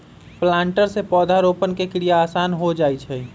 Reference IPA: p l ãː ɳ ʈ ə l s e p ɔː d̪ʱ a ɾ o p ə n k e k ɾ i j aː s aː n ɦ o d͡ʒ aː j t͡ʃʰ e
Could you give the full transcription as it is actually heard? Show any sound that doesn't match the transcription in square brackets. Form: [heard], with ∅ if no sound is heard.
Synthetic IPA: p l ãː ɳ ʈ ə [ɾ] s e p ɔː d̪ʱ a ɾ o p ə n k e k ɾ i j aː s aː n ɦ o d͡ʒ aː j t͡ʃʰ [ɛ]